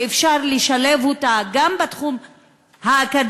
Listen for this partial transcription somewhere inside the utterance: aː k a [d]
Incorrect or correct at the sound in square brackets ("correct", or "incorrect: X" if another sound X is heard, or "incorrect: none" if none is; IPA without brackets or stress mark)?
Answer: correct